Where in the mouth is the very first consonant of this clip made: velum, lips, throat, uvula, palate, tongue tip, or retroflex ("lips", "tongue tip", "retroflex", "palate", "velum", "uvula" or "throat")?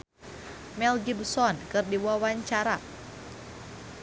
lips